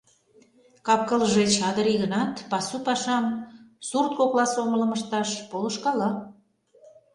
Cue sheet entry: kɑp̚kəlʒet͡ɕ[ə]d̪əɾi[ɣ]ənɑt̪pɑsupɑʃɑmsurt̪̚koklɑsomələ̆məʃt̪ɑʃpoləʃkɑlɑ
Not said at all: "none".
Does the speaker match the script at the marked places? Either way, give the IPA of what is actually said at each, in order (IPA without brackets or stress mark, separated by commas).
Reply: ɑ, ɣ